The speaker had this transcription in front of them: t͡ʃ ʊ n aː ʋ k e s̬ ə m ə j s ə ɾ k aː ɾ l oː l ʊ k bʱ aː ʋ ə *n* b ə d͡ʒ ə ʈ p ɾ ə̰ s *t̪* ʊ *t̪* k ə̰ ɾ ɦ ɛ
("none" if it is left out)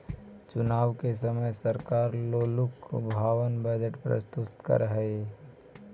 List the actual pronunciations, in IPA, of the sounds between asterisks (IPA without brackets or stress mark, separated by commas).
n, t̪, t̪